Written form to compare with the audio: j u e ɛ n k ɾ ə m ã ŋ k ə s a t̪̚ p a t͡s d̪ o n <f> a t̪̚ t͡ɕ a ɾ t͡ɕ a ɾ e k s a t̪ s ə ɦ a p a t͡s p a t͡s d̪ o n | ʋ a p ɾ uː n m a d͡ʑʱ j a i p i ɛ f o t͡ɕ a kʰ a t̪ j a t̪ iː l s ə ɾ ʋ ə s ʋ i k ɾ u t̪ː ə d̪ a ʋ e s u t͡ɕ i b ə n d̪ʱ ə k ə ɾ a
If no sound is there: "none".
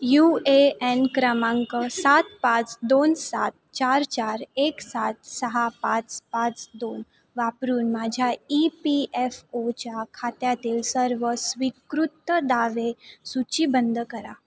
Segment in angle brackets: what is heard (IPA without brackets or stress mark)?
s